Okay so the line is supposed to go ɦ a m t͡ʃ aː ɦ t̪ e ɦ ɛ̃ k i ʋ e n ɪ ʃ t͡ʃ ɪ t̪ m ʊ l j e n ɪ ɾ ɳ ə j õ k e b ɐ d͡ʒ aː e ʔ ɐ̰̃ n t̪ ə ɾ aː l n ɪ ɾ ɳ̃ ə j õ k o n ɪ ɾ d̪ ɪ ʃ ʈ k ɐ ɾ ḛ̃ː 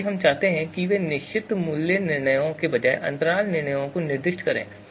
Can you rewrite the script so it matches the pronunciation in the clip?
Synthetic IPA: ɦ ɐ m t͡ʃ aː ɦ t̪ e ɦ ɛ̃ k i ʋ e n ɪ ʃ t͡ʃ ɪ t̪ m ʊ l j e n ɪ ɾ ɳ ə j õ k e b ɐ d͡ʒ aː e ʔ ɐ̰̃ n t̪ ə ɾ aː l n ɪ ɾ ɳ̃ ə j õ k o n ɪ ɾ d̪ ɪ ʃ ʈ k ɐ ɾ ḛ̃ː